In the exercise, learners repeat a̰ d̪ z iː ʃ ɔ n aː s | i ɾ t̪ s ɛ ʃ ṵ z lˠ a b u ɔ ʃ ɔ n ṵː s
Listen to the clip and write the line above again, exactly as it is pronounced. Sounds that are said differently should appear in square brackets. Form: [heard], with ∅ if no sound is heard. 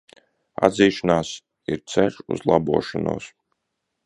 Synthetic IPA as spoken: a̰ d̪ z iː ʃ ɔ n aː s | i ɾ t̪ s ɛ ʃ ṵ z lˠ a b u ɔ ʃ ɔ n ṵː s